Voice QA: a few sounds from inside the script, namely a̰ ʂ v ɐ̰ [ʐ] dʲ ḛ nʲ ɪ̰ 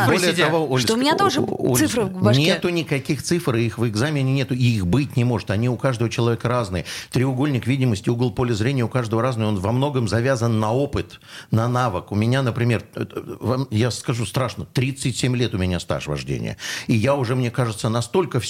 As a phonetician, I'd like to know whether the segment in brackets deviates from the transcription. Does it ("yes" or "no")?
no